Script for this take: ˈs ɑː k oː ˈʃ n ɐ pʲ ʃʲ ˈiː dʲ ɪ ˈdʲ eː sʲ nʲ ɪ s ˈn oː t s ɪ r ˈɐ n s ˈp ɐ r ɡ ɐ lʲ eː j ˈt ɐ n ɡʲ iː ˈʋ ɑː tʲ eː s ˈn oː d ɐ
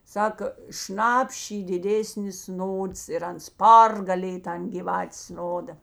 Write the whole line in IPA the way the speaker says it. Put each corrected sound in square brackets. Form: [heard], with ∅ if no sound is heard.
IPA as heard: ˈs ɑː k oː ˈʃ n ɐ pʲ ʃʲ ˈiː dʲ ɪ ˈdʲ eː sʲ nʲ ɪ s ˈn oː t s ɪ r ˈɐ n s ˈp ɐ r ɡ ɐ lʲ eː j ˈt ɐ n ɡʲ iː ˈʋ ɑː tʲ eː s ˈn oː d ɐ